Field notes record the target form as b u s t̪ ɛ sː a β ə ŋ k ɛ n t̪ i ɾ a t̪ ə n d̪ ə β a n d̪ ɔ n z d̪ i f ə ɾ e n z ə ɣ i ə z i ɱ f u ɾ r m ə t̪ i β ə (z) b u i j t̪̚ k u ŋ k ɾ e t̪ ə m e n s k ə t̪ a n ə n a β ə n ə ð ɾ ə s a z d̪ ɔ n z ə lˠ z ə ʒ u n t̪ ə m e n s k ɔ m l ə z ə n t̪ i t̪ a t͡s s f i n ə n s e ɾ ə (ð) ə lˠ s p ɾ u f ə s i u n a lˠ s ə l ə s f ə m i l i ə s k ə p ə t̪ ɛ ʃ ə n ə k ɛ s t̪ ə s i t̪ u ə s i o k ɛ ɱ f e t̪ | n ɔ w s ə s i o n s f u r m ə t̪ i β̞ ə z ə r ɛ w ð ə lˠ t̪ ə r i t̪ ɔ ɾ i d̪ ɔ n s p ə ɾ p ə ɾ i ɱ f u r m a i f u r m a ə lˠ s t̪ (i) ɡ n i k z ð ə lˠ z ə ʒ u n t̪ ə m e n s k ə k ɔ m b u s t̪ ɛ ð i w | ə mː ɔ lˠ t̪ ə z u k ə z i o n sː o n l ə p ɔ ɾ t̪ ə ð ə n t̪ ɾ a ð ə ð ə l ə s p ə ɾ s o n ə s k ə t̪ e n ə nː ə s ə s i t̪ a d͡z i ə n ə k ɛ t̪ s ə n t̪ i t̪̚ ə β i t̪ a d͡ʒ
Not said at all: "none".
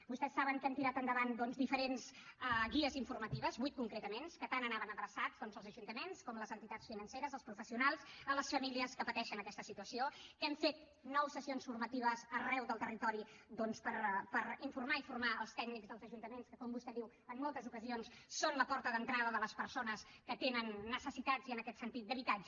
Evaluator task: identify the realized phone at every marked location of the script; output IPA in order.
z, z, ɛ

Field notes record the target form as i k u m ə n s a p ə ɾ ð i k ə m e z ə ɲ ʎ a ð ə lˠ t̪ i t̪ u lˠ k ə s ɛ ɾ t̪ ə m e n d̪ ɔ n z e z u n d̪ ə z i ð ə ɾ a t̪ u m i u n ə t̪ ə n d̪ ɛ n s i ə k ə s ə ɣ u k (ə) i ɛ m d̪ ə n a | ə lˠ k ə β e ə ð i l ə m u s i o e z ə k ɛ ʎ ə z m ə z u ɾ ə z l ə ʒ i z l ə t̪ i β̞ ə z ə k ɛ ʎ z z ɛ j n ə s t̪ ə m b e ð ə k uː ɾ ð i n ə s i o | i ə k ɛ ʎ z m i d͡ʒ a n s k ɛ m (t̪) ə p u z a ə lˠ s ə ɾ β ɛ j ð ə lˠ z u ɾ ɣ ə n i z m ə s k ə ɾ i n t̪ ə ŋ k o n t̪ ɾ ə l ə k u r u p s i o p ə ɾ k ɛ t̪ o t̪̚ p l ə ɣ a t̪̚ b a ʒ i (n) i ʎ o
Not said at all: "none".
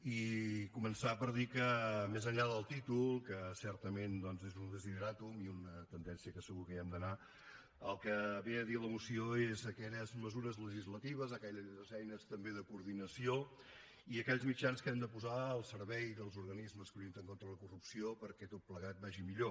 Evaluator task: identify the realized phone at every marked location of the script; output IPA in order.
ə, d̪, m

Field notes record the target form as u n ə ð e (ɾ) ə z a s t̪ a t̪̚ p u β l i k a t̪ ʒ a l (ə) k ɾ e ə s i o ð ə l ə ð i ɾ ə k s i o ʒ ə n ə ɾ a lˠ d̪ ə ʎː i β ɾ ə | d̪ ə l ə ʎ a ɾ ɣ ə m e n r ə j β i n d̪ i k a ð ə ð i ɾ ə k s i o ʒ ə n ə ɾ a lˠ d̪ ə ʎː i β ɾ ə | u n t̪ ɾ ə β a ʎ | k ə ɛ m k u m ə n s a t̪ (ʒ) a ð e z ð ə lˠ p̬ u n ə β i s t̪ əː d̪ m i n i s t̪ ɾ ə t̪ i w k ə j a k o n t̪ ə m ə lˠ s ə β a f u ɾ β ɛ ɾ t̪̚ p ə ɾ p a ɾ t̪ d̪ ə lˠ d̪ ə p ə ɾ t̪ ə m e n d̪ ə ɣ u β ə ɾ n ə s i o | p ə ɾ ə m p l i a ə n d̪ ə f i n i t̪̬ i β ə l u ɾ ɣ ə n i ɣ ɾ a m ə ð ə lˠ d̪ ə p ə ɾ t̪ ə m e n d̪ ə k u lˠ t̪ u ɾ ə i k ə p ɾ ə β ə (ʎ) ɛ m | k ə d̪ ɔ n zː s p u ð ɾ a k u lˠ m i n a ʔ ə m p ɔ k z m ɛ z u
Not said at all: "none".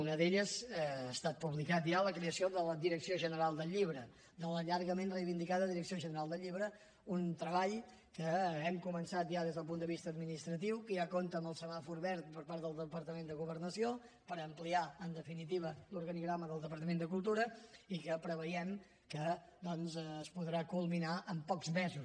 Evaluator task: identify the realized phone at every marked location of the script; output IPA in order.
ʎ, ə, ʒ, j

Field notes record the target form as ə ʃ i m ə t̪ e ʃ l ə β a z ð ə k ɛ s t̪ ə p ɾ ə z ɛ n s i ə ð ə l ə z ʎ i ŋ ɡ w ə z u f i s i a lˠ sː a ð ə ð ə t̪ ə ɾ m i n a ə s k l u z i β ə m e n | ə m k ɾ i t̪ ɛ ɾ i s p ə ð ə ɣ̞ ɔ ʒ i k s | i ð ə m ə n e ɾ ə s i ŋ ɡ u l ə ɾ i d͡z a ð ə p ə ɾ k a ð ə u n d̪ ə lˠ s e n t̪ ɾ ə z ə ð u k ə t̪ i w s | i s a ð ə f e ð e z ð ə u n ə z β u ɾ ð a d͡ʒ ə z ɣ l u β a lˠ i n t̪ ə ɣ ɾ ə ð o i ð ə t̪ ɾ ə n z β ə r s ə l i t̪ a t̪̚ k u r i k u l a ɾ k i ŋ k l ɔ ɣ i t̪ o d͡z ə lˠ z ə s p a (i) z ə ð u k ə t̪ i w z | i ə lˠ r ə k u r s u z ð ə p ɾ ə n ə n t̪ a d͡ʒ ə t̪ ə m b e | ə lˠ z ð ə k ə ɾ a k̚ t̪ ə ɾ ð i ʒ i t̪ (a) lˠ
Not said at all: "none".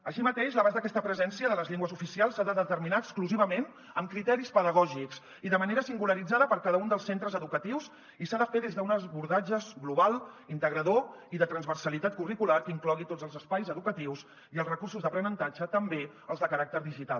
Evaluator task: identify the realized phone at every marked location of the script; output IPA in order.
j, a

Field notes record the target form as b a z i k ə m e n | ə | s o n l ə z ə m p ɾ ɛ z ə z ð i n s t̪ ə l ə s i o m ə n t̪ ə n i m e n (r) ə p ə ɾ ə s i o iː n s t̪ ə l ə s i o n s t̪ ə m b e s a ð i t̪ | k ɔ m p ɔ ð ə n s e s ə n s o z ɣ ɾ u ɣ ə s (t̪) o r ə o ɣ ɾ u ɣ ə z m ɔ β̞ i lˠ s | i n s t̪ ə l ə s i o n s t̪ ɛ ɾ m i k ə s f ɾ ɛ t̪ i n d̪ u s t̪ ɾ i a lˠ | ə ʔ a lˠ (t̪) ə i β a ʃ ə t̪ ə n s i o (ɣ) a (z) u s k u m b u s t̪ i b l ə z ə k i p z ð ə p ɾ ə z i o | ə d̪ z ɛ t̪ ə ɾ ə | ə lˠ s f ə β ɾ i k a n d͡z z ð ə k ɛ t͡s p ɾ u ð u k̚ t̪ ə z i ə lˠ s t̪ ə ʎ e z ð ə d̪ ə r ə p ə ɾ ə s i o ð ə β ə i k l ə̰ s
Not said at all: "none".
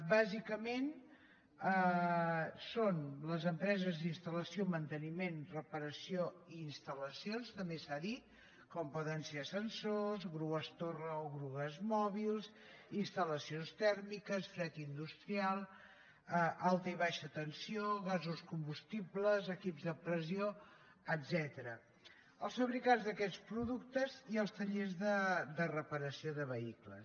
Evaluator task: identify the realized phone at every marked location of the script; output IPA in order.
r, t̪, t̪, ɣ, z

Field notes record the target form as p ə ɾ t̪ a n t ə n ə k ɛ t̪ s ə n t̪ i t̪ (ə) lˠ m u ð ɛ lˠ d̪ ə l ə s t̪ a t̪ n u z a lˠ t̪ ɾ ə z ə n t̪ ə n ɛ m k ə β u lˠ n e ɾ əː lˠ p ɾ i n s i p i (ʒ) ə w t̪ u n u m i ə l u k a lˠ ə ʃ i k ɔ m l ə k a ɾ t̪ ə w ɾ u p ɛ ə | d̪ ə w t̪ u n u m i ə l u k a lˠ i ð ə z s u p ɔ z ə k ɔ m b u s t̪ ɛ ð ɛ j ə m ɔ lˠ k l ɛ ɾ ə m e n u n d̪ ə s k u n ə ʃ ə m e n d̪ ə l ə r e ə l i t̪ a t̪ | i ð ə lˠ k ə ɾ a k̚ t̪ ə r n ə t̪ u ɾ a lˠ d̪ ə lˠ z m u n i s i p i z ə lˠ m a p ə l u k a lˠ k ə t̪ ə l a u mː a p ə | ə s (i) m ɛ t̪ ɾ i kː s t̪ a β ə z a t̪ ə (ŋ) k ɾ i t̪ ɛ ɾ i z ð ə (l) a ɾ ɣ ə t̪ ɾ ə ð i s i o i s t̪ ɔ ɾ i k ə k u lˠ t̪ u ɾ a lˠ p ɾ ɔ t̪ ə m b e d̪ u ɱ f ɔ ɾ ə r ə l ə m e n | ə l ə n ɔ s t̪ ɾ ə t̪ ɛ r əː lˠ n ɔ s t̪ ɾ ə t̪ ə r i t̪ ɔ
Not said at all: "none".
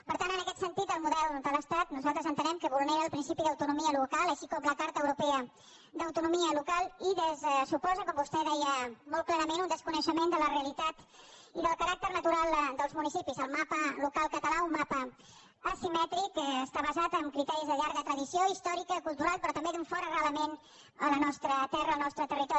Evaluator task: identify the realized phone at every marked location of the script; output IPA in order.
ə, ð, i, m, ʎ

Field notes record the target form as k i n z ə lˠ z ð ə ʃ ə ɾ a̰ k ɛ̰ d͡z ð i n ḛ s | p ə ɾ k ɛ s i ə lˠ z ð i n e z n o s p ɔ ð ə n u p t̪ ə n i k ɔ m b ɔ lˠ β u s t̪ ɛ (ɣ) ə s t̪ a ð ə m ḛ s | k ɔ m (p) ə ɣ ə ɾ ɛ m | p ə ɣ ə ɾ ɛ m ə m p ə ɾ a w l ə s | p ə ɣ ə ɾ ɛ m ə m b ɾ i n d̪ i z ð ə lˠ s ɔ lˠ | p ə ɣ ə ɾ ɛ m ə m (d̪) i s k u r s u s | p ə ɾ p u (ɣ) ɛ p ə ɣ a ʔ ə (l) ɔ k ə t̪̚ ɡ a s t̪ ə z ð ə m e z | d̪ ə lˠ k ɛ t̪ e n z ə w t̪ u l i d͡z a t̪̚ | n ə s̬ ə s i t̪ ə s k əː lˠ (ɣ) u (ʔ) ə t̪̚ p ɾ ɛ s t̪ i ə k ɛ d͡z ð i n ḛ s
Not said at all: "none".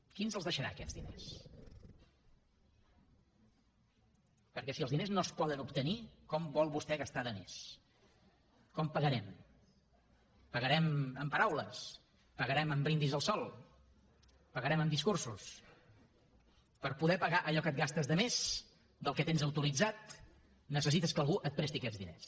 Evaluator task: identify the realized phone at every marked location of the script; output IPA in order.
ɣ, p, d̪, ð, ʎ, ɣ, ʔ

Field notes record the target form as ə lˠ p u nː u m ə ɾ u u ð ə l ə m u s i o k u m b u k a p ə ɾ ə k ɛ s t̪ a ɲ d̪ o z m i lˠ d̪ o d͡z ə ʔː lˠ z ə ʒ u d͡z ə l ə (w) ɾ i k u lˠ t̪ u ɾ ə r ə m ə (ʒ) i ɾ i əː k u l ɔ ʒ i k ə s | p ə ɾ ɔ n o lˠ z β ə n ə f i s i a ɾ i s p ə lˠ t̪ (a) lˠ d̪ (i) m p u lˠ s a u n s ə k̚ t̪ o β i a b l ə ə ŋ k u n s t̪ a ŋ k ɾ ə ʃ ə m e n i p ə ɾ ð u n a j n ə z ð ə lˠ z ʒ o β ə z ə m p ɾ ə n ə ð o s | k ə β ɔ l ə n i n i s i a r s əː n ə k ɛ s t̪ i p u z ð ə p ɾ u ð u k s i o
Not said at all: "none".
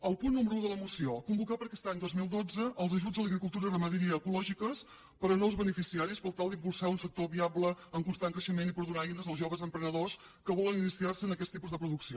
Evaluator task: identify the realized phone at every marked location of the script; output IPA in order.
ɣ, ð, a, i

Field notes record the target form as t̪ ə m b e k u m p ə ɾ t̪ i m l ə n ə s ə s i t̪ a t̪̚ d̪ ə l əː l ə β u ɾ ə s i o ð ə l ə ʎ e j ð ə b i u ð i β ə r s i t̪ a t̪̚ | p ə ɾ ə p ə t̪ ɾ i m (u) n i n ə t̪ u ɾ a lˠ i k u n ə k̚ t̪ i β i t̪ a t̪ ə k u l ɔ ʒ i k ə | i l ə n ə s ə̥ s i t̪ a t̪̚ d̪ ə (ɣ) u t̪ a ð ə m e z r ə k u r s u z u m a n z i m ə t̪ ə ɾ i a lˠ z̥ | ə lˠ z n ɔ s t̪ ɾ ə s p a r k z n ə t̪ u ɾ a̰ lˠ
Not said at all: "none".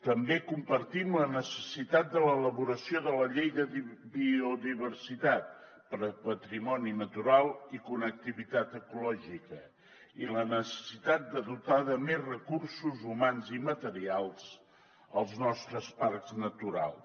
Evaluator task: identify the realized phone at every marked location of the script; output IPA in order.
ɔ, ð

